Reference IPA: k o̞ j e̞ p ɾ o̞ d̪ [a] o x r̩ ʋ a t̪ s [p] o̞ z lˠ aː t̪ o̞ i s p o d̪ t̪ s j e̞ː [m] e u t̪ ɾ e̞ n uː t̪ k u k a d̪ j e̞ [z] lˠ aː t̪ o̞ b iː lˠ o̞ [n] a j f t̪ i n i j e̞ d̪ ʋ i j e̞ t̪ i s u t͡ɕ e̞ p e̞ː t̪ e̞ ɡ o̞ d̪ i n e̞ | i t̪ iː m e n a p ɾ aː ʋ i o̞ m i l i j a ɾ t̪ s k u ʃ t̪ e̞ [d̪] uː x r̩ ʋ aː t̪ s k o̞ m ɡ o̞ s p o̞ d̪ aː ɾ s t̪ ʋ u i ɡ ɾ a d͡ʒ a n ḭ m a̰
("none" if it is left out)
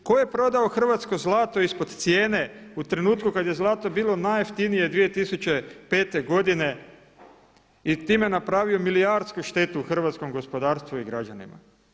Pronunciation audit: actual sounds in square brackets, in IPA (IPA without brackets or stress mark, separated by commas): a, k, n, z, n, t̪